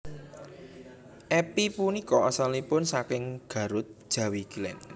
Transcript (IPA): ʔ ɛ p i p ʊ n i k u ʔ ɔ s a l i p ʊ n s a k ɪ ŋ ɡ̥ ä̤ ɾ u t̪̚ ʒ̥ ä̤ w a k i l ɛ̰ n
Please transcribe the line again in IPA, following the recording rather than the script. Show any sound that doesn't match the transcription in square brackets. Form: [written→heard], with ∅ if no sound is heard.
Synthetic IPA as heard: ʔ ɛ p i p [ʊ→u] n i k [u→ɔ] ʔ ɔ s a l i p ʊ n s a k ɪ ŋ ɡ̥ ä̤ ɾ [u→ʊ] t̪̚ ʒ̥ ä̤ w [a→i] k i l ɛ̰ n